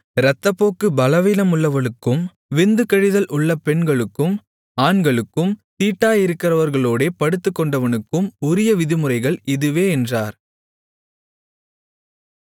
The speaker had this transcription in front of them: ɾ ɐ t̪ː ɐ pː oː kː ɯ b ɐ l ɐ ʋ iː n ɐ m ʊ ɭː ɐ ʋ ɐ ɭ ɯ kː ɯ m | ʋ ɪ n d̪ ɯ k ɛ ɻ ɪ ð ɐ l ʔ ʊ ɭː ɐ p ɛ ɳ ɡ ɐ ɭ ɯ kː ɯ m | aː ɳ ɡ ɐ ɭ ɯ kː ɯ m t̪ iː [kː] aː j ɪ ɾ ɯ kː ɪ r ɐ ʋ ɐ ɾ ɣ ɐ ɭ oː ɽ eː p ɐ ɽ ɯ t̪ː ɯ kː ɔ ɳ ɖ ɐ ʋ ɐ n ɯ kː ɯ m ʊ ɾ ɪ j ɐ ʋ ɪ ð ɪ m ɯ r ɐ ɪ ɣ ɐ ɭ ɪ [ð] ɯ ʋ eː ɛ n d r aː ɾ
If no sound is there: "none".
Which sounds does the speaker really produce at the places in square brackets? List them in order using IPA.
ʈː, ð

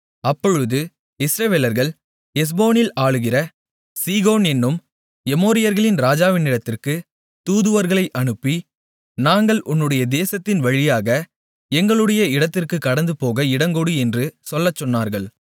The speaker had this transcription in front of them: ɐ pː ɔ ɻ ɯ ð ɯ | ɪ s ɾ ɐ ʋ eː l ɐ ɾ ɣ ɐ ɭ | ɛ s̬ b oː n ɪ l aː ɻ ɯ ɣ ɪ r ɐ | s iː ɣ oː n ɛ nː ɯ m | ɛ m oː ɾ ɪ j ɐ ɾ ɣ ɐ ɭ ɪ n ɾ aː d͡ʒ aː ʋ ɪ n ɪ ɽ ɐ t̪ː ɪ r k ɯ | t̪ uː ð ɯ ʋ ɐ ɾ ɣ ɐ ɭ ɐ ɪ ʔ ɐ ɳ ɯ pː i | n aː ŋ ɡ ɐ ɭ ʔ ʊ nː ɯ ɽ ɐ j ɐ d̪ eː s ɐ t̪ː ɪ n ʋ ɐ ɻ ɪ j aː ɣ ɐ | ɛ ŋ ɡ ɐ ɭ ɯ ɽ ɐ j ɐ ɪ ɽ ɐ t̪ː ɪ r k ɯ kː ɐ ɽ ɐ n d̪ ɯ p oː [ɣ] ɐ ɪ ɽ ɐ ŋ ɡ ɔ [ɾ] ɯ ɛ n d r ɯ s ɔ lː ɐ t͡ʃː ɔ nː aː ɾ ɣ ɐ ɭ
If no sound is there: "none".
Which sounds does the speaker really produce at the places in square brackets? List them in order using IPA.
ɣ, ɽ

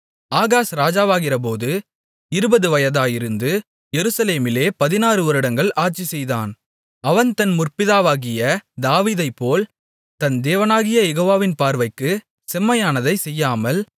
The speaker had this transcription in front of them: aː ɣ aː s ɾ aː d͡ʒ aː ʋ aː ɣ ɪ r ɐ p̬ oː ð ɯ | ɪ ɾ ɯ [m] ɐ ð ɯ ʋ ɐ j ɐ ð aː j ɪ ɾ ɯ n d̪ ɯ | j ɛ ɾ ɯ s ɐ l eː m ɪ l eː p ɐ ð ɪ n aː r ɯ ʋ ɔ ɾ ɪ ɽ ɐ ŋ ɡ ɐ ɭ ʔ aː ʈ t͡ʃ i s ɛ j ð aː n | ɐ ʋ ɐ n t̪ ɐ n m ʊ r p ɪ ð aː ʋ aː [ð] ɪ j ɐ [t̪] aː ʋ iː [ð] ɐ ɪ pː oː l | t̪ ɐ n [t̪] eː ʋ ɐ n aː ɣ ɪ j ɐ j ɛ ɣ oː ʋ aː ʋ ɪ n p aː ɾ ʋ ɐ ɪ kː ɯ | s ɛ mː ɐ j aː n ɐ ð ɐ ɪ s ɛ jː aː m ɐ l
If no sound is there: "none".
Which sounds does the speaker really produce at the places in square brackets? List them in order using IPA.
b, ɣ, d̪, ð, d̪

